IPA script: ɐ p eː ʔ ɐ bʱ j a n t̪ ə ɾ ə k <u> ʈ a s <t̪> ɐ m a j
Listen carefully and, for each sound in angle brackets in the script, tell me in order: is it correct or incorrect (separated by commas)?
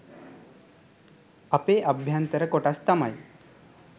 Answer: incorrect, correct